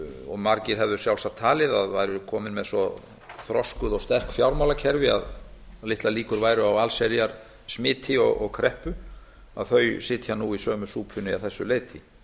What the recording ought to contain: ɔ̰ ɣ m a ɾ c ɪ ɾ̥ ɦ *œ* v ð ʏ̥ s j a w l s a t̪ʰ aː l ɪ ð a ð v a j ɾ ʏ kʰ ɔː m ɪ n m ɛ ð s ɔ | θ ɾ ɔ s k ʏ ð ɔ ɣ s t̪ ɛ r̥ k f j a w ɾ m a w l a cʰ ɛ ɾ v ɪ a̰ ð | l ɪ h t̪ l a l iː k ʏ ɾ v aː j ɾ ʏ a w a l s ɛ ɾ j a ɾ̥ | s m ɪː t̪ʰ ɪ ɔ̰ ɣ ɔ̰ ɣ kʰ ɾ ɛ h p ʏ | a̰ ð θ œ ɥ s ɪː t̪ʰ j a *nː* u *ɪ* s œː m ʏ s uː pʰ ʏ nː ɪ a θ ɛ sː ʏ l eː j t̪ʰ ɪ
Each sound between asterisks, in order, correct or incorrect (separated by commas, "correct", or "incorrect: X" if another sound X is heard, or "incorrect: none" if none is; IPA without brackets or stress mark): incorrect: ɛ, incorrect: n, incorrect: i